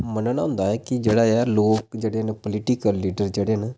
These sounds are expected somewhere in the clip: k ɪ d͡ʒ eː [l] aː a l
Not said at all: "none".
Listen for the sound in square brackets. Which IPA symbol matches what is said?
ɽ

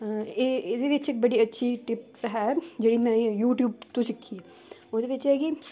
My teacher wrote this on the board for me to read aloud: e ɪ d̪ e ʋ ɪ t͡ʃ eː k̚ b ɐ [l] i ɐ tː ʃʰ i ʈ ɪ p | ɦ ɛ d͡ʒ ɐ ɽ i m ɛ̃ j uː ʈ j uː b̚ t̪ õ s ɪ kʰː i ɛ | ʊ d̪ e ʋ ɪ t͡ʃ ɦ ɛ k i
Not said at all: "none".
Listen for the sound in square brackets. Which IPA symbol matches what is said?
ɽ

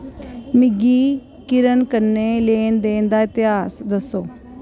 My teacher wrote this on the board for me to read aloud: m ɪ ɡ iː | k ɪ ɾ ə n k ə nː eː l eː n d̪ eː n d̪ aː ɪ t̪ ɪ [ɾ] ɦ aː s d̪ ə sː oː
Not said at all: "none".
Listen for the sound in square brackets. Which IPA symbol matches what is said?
none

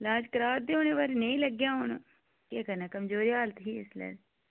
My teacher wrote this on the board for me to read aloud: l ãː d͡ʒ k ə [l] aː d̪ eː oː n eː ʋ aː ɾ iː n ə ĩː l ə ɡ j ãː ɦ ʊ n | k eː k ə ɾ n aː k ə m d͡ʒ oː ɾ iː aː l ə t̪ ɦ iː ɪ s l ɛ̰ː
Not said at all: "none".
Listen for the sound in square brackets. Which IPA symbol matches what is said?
ɾ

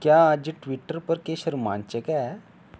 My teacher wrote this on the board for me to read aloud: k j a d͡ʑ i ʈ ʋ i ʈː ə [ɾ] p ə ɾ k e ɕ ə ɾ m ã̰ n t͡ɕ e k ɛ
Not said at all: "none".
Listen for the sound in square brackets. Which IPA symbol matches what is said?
ɾ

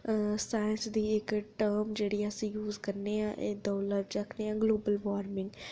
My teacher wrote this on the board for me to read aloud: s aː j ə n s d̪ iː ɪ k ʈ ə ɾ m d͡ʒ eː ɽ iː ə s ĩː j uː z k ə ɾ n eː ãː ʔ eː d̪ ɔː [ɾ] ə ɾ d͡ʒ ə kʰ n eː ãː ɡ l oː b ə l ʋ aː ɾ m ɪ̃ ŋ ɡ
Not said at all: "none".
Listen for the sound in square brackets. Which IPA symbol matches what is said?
l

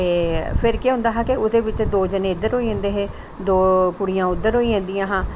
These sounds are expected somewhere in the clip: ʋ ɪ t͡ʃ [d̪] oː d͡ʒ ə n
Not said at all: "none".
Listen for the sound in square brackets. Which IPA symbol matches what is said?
d̪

